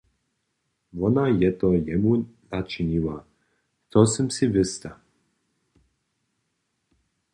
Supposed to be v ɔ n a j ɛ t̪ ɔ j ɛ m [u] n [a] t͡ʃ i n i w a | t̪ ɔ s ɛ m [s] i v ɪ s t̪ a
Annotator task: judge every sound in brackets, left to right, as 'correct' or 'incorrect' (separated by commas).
correct, correct, correct